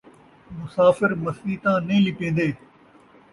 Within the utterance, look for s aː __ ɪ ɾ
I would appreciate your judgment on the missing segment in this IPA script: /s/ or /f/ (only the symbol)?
f